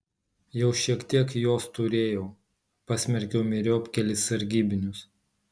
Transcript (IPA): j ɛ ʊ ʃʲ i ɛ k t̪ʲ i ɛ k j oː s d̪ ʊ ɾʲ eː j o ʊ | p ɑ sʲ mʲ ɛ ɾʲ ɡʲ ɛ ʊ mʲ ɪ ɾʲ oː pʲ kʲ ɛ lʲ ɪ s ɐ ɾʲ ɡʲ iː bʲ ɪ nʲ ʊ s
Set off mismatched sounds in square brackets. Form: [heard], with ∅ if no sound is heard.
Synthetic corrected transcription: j ɛ ʊ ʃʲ i ɛ k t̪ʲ i ɛ k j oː s [t̪] ʊ ɾʲ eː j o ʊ | p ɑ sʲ mʲ ɛ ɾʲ [kʲ] ɛ ʊ mʲ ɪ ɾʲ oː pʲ kʲ ɛ lʲ ɪ s ɐ ɾʲ ɡʲ iː bʲ ɪ nʲ ʊ s